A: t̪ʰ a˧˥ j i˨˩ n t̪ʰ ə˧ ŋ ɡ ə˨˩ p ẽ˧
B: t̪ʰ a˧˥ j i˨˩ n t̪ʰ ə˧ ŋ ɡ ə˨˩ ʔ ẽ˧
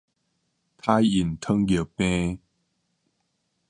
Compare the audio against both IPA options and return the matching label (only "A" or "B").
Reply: A